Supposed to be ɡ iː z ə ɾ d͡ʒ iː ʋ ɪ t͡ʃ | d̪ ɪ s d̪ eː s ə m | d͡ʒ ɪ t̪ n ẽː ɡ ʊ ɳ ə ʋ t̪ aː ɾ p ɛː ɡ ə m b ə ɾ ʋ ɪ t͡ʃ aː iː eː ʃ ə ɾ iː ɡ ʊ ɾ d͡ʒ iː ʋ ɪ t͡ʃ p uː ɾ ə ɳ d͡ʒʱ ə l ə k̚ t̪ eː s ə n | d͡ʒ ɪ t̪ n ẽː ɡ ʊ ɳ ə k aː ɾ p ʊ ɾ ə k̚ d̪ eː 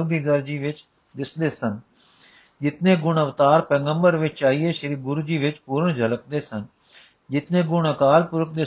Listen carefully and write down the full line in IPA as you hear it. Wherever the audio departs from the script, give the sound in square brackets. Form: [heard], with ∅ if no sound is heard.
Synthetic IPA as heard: ɡ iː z ə ɾ d͡ʒ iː ʋ ɪ t͡ʃ | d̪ ɪ s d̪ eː s ə [n] | d͡ʒ ɪ t̪ n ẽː ɡ ʊ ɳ ə ʋ t̪ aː ɾ p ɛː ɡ ə m b ə ɾ ʋ ɪ t͡ʃ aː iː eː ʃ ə ɾ iː ɡ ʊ ɾ d͡ʒ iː ʋ ɪ t͡ʃ p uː ɾ ə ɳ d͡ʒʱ ə l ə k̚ [d̪] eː s ə n | d͡ʒ ɪ t̪ n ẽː ɡ ʊ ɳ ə k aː [l] p ʊ ɾ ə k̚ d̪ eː